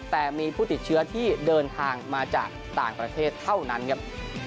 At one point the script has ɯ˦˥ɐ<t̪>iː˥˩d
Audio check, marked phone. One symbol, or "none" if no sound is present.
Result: t̪ʰ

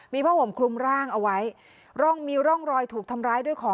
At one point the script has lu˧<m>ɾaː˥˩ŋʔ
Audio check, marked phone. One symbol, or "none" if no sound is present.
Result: m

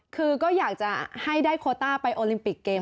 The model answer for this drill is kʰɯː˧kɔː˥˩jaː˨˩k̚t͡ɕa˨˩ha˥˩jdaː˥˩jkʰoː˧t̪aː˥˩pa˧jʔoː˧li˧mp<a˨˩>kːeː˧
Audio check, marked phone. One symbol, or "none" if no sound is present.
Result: i˨˩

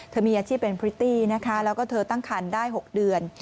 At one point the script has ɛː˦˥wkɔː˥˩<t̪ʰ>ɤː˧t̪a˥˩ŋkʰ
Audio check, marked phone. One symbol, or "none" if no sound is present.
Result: t̪ʰ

